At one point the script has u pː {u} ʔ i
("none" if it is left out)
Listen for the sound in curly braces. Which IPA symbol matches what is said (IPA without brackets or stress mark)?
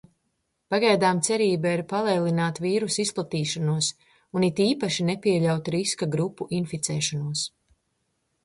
u